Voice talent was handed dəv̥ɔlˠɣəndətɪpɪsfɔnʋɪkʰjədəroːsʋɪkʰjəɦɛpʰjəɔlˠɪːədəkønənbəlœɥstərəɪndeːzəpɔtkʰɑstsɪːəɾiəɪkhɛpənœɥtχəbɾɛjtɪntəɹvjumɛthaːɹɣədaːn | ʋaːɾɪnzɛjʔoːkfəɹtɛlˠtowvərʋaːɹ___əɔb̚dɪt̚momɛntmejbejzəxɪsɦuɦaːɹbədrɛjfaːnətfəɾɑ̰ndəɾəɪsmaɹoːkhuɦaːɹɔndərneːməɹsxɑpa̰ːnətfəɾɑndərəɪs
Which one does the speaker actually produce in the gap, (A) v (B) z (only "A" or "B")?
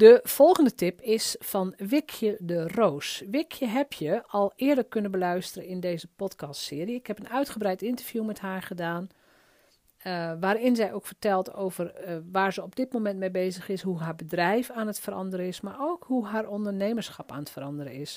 B